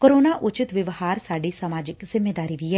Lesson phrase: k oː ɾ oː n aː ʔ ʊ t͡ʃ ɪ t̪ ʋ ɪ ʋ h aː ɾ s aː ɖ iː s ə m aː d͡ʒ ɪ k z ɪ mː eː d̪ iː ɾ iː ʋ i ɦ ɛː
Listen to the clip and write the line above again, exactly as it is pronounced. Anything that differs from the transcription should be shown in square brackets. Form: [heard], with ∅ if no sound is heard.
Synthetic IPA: k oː ɾ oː n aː ʔ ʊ t͡ʃ ɪ t̪ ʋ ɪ ʋ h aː ɾ s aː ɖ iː s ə m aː d͡ʒ ɪ k z ɪ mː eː d̪ [aː] ɾ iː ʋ i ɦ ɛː